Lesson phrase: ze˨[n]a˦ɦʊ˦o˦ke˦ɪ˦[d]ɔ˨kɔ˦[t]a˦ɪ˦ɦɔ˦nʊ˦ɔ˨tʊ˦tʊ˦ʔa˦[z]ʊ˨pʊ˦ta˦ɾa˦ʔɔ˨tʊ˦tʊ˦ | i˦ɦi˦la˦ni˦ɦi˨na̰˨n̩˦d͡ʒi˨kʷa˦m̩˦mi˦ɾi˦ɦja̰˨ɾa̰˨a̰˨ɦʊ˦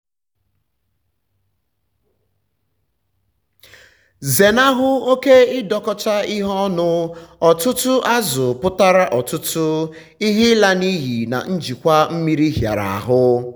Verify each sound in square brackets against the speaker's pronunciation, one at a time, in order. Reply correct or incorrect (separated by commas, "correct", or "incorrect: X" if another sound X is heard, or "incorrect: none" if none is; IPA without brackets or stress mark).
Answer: correct, correct, incorrect: t͡ʃ, correct